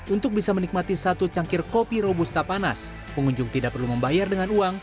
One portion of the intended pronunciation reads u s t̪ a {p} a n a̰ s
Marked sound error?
no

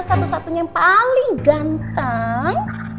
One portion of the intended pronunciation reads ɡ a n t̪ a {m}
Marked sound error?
yes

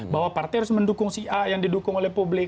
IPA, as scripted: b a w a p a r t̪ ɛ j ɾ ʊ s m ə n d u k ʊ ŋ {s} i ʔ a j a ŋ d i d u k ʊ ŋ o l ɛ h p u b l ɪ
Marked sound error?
no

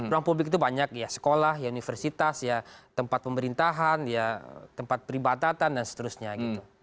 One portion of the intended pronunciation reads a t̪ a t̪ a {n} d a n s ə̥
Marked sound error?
no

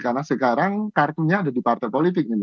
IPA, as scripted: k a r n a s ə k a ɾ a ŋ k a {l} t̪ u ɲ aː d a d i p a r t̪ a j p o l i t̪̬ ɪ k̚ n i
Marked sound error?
yes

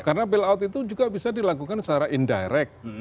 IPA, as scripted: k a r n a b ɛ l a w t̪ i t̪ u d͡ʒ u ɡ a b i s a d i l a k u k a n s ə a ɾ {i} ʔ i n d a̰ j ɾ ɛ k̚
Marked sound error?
yes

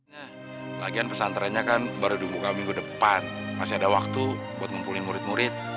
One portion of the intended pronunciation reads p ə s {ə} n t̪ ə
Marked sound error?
yes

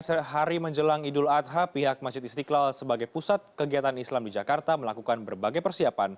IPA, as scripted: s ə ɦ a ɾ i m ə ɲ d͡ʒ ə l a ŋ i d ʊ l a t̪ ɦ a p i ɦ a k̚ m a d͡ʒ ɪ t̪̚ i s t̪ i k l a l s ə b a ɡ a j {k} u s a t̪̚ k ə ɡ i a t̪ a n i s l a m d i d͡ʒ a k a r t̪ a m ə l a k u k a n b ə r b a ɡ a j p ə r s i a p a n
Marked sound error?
yes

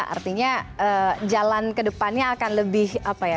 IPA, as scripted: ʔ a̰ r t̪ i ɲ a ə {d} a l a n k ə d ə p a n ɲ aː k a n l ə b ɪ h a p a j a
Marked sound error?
yes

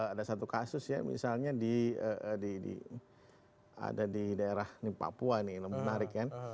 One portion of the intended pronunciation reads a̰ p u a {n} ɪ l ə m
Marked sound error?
no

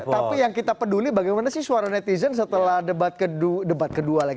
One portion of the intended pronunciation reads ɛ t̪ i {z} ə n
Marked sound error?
no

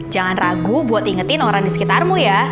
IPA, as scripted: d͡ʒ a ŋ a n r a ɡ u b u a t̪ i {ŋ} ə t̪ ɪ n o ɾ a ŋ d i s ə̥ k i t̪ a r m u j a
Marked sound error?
no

